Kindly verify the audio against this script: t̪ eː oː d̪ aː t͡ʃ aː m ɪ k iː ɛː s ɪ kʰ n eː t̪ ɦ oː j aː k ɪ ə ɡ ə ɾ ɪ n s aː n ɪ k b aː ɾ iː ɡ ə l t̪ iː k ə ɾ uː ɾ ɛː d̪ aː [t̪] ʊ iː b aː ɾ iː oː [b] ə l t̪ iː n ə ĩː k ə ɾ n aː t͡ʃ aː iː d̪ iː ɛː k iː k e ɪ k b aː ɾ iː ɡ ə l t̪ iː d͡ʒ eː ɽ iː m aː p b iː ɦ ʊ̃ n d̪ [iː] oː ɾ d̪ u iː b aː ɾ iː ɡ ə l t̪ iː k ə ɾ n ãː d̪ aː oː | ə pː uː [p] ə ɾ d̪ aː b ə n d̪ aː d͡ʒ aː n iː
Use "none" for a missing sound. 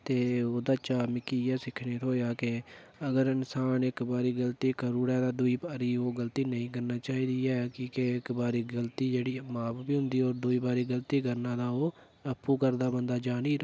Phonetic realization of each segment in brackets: d̪, ɡ, iː, k

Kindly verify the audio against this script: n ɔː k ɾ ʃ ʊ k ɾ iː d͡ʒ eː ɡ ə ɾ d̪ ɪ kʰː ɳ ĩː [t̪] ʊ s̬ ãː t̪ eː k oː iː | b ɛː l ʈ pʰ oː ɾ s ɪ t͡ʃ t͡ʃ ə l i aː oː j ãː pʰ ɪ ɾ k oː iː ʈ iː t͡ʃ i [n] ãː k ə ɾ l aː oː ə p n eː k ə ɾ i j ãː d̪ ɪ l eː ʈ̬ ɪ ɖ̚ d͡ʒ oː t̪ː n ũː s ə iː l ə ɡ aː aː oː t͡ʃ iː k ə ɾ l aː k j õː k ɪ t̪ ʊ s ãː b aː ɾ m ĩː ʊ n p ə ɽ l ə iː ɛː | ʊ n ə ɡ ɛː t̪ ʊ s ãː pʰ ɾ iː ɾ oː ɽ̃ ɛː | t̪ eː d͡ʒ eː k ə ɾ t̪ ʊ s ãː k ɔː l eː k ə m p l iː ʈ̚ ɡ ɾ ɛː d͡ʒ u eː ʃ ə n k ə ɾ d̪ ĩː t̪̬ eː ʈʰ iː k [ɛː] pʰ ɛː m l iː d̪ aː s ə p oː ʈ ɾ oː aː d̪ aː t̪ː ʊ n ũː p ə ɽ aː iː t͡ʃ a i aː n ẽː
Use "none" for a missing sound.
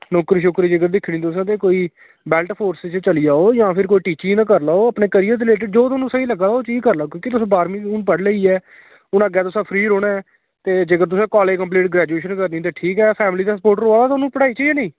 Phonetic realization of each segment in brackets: t̪, n, ɛː

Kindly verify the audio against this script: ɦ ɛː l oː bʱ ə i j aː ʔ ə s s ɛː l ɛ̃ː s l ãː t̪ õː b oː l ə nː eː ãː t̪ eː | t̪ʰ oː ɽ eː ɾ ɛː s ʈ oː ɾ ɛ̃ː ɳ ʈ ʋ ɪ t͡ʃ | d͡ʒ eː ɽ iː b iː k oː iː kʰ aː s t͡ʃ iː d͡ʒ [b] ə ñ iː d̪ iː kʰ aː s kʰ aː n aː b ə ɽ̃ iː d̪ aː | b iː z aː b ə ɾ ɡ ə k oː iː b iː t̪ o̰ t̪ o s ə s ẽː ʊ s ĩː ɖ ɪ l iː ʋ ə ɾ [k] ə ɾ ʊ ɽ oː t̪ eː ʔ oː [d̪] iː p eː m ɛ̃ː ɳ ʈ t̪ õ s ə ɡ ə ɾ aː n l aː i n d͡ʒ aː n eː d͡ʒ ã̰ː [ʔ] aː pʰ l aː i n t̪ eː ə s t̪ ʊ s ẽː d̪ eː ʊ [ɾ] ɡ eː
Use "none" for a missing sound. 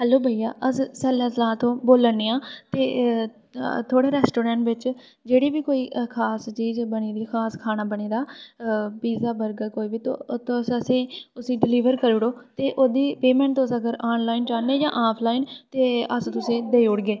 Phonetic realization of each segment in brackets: b, k, d̪, ʔ, ɽ

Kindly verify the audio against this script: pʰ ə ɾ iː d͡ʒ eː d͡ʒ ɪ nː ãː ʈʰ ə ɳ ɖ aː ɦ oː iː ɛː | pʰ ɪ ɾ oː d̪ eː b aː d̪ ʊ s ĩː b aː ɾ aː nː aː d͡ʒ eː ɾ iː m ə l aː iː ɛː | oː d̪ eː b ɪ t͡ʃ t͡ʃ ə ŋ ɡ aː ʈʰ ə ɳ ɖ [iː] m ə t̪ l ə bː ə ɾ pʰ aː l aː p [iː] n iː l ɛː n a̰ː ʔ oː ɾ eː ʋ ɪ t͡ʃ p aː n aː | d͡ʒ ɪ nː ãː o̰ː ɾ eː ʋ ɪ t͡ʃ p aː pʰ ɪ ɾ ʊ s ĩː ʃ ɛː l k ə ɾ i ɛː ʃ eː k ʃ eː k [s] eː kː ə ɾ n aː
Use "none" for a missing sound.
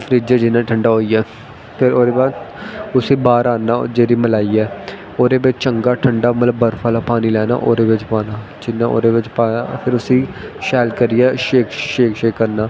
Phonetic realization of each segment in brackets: aː, aː, ʃ

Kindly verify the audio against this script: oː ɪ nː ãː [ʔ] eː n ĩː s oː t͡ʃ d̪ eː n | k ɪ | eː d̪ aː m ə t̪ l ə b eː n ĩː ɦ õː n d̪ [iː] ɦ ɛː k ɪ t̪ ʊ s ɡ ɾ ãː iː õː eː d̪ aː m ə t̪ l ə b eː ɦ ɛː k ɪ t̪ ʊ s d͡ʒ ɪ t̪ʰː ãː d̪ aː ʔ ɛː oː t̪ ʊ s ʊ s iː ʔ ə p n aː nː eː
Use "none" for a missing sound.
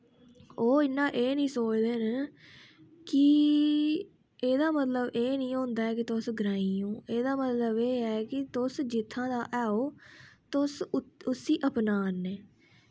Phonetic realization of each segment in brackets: ʔ, aː

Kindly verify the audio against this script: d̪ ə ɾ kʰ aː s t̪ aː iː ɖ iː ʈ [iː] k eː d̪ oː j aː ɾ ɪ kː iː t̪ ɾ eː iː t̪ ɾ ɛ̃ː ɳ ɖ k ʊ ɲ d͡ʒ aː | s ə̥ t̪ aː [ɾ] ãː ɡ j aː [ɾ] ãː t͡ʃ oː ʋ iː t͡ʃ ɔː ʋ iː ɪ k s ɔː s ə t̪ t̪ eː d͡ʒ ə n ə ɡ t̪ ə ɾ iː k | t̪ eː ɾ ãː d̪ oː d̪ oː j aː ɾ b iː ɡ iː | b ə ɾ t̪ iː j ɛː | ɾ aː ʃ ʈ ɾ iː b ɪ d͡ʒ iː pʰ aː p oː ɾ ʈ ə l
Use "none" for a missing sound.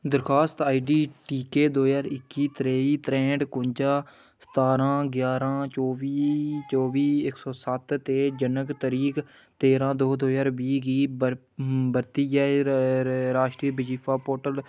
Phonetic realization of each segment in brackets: iː, ɾ, ɾ

